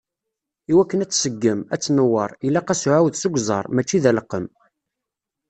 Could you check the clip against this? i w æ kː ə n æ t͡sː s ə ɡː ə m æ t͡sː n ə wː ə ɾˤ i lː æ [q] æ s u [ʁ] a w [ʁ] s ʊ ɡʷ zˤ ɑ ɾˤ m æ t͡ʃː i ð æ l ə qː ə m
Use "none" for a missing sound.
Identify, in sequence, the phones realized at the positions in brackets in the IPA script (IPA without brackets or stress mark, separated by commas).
q, ʕ, ð